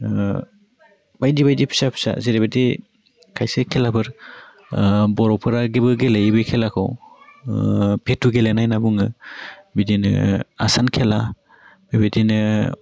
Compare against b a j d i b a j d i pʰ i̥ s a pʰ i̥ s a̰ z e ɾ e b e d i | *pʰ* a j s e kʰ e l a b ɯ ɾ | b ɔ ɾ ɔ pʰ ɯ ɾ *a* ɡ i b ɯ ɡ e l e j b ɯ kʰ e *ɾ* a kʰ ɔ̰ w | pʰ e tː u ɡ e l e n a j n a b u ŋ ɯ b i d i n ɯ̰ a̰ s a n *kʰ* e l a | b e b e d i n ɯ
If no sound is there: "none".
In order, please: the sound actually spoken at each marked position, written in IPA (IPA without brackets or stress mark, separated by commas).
kʰ, a, l, kʰ